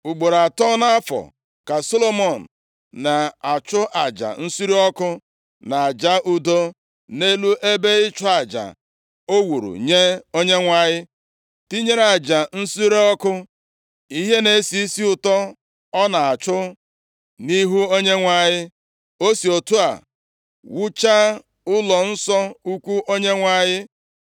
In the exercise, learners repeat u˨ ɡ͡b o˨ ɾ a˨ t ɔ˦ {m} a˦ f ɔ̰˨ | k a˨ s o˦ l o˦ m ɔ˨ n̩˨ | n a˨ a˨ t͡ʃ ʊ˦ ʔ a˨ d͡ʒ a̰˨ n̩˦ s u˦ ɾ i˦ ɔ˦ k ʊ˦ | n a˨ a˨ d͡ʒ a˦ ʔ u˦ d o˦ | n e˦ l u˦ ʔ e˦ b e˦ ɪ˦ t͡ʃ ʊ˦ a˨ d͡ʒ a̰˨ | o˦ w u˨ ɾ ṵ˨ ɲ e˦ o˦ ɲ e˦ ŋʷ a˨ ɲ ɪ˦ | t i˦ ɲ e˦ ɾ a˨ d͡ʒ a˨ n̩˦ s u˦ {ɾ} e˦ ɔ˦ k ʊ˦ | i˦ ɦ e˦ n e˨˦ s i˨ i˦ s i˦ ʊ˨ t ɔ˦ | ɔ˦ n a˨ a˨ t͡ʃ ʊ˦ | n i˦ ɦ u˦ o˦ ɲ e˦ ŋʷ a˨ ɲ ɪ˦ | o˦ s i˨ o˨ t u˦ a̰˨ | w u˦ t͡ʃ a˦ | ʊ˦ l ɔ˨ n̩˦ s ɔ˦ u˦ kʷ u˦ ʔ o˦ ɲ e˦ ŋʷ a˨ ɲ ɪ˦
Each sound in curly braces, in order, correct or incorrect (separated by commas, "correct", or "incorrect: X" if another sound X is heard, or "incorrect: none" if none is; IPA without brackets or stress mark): incorrect: n, correct